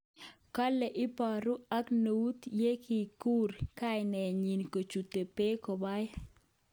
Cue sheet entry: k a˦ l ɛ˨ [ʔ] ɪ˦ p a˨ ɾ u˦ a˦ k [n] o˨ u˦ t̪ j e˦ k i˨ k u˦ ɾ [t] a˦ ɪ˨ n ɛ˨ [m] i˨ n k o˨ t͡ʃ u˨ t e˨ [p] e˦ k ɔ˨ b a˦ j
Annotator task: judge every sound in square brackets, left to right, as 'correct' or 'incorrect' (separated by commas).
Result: correct, correct, incorrect, incorrect, correct